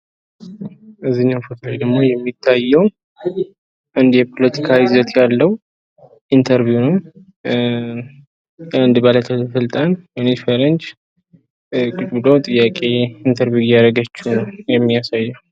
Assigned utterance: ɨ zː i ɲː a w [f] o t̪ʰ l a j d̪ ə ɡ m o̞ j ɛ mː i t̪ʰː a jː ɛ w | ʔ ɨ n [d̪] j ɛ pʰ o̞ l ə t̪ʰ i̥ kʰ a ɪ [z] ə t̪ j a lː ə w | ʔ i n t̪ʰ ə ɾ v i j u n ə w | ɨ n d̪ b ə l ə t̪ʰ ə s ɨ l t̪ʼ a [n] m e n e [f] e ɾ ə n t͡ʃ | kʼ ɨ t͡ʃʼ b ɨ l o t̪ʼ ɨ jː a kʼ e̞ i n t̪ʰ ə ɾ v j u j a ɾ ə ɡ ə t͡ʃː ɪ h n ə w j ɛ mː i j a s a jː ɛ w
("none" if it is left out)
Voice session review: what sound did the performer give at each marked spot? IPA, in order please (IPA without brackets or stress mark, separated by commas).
f, d̪, z, n, f